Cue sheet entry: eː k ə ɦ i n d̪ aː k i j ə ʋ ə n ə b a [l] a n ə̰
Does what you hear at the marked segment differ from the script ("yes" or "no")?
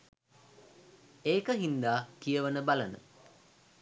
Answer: no